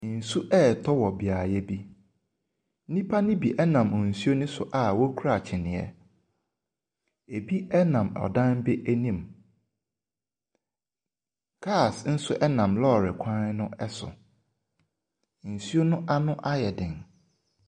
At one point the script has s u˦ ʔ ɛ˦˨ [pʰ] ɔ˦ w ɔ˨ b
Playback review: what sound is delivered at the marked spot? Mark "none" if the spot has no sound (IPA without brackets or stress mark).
tʰ